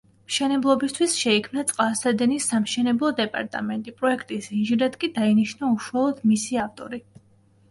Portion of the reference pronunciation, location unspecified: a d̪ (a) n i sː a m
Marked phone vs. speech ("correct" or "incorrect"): incorrect